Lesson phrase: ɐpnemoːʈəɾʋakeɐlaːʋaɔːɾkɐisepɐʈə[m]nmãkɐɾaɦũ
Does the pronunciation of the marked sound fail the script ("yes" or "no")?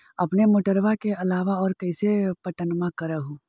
yes